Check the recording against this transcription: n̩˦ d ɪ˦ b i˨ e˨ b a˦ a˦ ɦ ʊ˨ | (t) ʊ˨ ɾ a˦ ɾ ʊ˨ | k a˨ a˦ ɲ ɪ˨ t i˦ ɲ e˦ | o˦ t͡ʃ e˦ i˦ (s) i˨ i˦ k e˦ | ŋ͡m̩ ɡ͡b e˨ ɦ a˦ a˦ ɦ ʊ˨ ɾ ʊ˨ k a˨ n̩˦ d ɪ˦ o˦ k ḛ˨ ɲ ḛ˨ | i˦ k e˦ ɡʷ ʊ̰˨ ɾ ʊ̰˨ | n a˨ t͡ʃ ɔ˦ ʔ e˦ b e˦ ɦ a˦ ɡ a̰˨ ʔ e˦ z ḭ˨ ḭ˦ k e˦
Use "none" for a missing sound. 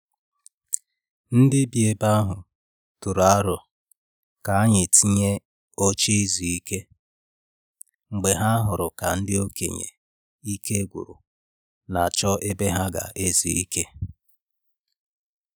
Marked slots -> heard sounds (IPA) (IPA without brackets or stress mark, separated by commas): t, z